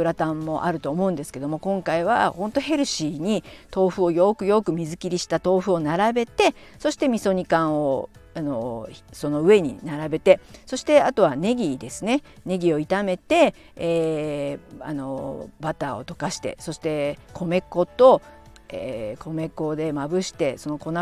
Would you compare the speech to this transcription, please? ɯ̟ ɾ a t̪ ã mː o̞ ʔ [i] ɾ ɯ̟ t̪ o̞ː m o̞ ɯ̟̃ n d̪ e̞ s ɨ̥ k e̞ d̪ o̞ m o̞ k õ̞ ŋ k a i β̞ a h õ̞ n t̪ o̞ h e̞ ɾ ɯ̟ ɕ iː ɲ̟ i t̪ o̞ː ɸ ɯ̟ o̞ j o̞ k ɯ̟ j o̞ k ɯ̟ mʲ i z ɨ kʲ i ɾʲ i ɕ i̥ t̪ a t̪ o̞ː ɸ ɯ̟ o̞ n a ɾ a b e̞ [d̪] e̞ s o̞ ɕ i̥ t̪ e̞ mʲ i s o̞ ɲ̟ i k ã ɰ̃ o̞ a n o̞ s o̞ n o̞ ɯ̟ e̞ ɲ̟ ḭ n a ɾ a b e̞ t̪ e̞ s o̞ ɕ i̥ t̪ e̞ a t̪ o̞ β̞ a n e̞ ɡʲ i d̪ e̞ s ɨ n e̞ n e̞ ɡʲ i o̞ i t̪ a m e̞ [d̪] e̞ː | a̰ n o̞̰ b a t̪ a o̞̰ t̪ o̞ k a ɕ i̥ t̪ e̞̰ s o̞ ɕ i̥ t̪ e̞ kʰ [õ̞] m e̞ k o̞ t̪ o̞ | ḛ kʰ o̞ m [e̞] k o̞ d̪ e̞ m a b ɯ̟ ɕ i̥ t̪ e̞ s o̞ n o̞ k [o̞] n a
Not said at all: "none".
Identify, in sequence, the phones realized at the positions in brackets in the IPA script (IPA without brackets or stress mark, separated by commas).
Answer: a, t̪, t̪, o̞, e̞, o̞